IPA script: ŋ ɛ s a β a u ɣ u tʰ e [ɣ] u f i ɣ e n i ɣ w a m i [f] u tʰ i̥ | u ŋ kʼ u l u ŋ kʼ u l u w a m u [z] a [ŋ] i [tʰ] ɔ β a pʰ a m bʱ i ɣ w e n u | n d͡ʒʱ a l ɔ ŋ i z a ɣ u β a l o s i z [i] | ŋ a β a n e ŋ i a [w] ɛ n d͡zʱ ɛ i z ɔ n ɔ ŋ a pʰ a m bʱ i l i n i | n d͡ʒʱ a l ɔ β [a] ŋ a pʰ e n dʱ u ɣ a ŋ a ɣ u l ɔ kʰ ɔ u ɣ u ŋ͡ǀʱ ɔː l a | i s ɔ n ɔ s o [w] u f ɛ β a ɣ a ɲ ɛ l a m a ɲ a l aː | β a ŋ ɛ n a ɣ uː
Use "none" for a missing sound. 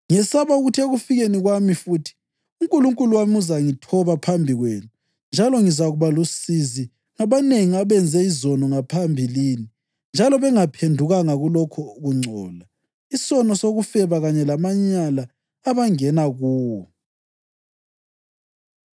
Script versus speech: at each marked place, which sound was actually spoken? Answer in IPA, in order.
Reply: ɣ, f, z, ŋ, tʰ, i, β, ɛ, ɣ

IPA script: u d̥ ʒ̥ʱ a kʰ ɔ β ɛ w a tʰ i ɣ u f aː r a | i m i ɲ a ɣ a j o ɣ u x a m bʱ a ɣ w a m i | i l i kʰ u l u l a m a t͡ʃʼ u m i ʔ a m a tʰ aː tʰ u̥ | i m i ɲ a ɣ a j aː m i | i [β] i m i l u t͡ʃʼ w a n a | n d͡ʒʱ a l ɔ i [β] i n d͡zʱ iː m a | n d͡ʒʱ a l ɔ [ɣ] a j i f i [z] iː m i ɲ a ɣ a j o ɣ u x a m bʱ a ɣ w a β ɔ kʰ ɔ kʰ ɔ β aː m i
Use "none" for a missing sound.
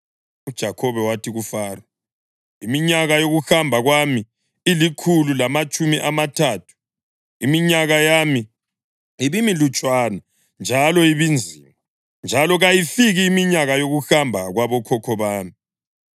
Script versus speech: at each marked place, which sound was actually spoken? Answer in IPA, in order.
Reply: β, β, ɣ, ɣ

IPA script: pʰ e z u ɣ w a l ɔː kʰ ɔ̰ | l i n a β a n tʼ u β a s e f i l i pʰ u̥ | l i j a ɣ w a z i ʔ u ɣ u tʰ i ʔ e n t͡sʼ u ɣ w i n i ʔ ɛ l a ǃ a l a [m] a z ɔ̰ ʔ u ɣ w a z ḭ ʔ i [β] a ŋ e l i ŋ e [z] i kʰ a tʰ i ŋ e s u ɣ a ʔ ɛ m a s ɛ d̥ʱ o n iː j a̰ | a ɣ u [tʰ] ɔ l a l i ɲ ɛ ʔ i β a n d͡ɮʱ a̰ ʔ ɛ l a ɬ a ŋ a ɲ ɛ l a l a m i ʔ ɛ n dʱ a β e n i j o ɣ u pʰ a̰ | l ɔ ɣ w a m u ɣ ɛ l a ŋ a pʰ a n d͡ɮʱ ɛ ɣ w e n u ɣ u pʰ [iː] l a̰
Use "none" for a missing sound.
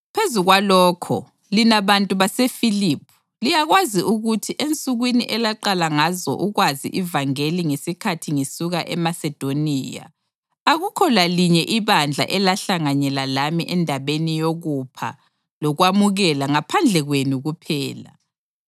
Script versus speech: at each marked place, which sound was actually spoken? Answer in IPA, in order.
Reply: ŋ, v, s, kʰ, ɛː

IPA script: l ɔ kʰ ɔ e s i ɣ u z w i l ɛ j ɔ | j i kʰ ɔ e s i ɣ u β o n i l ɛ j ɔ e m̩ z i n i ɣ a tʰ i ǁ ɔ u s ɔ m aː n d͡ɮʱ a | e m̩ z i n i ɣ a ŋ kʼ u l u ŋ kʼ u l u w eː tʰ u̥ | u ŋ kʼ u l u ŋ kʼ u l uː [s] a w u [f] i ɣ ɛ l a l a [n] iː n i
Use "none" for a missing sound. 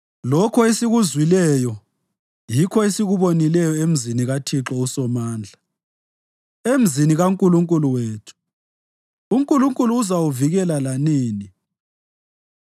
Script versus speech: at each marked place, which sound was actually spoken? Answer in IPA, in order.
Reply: z, v, n

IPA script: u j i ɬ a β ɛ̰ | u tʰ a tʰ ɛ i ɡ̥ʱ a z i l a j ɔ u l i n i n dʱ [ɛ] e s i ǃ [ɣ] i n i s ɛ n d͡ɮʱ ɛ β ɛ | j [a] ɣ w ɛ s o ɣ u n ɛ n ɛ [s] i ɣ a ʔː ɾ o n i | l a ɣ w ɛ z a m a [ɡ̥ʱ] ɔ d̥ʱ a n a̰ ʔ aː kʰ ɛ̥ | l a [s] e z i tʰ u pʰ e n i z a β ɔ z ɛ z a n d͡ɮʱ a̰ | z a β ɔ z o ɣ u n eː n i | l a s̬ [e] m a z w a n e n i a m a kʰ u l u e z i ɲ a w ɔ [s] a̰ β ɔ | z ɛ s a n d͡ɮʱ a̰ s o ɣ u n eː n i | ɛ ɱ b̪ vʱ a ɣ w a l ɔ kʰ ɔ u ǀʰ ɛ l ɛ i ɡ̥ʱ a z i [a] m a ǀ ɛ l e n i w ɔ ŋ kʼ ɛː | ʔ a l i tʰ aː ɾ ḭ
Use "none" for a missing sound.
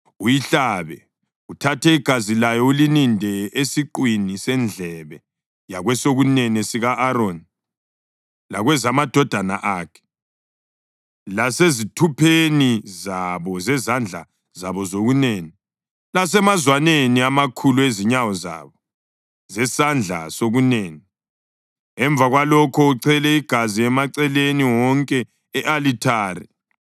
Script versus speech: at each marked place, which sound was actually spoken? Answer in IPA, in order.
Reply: ɛ, w, a, s, d̥ʱ, s, ɛ, z, ɛ

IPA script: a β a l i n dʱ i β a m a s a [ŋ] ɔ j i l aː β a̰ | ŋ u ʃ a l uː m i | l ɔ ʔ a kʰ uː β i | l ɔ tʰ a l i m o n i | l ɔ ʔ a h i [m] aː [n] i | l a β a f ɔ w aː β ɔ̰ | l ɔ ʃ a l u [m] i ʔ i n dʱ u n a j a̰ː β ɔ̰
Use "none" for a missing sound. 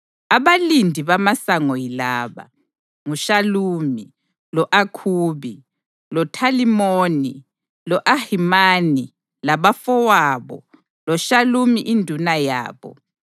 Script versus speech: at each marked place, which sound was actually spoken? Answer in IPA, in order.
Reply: ŋ, m, n, m

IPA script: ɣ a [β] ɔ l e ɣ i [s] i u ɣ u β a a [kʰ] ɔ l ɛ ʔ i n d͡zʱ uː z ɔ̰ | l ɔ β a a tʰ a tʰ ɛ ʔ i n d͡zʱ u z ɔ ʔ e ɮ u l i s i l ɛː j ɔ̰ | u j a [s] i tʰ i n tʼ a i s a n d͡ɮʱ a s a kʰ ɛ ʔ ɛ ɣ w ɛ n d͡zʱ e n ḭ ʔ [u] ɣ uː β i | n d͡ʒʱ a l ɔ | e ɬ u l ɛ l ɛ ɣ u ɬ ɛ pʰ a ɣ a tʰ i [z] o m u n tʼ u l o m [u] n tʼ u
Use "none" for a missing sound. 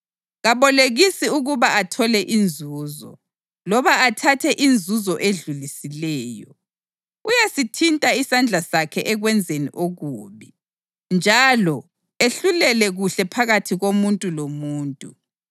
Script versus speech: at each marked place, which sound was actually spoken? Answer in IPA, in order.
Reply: β, s, tʰ, s, o, ɣ, uː

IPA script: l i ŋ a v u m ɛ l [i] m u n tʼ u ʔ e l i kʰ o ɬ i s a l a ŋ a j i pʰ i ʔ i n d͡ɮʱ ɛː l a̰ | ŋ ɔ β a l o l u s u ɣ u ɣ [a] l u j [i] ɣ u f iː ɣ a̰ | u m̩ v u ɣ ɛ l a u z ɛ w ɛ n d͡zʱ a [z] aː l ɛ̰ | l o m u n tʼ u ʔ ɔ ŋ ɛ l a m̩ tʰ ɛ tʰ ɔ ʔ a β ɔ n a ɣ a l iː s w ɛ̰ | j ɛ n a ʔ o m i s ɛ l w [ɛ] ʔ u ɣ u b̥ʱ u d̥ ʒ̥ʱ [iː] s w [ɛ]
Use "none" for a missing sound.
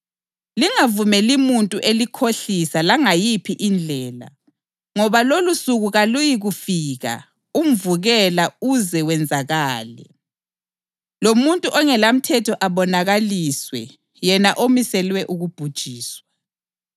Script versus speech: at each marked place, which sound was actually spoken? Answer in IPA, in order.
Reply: i, a, i, ɣ, ɛ, iː, a

